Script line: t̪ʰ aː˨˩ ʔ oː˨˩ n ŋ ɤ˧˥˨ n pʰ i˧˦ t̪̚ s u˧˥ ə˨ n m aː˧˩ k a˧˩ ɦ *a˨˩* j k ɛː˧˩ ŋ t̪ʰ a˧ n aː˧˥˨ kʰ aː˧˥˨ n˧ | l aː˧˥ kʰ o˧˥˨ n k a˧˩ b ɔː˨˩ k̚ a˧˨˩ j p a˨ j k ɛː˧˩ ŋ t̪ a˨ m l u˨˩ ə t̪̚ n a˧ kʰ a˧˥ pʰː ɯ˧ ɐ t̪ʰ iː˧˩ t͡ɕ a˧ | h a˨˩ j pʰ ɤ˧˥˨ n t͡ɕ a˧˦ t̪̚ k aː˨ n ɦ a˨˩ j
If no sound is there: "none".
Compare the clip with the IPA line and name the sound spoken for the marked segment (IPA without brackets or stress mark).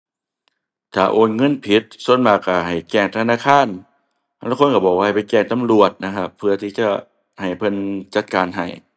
a˨˩